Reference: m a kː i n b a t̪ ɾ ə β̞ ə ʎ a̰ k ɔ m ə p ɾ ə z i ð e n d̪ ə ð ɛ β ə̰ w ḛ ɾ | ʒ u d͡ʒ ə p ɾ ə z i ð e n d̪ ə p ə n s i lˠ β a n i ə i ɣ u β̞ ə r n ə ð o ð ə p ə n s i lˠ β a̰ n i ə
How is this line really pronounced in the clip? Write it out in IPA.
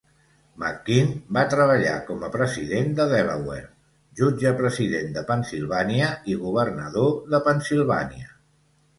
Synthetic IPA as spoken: m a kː i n b a t̪ ɾ ə β̞ ə ʎ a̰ k ɔ m ə p ɾ ə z i ð e n d̪ ə ð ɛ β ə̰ w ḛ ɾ | ʒ u d͡ʒ ə p ɾ ə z i ð e n d̪ ə p ə n s i lˠ β a n i ə i ɣ u β̞ ə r n ə ð o ð ə p ə n s i lˠ β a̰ n i ə